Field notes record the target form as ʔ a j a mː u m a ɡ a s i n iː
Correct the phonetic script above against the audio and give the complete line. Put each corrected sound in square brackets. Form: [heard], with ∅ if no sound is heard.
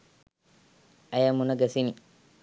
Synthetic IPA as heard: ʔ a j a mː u [n] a ɡ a s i n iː